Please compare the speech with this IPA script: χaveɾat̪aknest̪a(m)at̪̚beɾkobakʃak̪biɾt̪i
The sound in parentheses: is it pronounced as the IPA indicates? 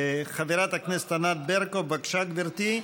no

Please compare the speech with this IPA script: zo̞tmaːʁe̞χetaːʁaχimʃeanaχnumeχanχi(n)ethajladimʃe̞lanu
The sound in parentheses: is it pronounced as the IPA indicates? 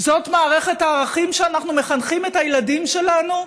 no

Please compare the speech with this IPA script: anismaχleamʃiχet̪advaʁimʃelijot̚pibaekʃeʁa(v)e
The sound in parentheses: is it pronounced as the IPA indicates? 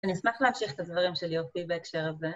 no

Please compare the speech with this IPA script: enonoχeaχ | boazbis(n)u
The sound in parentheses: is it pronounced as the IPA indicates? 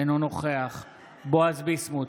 no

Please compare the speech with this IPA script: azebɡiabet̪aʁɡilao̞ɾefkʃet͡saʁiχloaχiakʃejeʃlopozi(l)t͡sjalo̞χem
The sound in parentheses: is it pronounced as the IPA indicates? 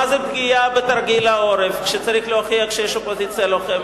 no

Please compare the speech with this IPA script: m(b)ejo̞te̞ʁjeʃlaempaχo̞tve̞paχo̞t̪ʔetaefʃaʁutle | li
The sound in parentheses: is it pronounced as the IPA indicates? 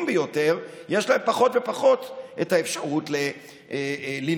yes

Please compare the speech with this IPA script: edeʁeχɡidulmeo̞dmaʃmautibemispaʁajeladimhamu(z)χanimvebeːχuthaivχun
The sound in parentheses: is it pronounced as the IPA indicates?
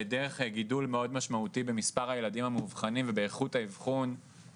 no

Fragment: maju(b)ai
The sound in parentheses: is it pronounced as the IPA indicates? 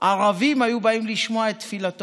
yes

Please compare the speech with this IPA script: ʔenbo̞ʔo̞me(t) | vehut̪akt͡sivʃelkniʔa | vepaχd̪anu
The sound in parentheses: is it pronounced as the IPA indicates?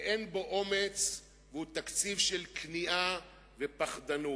no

